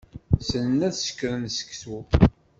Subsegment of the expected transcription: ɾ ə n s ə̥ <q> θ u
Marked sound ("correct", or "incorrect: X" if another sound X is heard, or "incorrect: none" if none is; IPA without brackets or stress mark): incorrect: k